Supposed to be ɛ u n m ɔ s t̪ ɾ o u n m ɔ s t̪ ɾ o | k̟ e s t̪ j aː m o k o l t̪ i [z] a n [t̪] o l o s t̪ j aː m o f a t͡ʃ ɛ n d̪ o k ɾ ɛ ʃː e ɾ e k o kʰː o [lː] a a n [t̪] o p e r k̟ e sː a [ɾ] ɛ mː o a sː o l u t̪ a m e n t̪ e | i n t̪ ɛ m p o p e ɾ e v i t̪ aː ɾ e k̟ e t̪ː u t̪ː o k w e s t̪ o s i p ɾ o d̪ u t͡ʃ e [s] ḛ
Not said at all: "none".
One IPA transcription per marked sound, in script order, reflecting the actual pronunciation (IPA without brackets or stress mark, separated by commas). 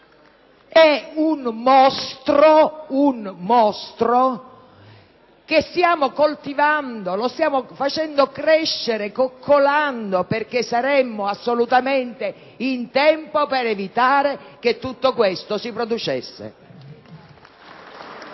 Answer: v, d̪, l, d̪, ɾ, sː